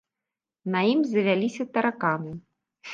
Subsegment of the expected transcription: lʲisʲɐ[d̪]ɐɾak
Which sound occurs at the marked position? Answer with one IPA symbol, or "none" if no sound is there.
t̪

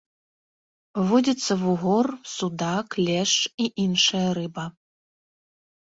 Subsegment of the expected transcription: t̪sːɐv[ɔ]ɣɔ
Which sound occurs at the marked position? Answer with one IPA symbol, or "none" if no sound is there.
u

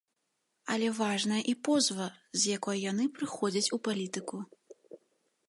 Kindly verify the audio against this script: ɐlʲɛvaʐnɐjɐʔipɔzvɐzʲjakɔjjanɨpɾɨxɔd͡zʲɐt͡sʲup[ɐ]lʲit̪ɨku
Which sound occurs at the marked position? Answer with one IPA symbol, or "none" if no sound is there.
a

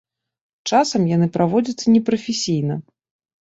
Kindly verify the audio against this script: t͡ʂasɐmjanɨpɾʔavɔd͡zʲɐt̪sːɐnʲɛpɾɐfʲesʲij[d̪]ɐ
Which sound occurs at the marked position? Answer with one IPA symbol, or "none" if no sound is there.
n̪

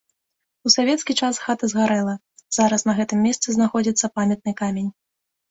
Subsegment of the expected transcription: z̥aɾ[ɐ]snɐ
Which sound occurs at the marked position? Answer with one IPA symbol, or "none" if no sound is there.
ɐ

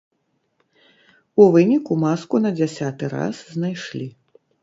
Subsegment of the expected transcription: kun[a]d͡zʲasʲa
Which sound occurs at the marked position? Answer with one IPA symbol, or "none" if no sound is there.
ɐ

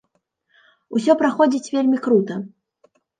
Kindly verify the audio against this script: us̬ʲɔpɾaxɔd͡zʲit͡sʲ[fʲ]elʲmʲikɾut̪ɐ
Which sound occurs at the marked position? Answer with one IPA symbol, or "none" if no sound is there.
vʲ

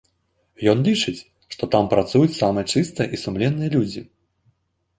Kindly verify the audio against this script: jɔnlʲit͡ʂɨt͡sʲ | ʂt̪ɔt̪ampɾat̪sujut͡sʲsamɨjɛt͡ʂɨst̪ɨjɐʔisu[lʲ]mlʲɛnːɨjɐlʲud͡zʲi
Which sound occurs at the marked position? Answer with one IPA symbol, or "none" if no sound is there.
none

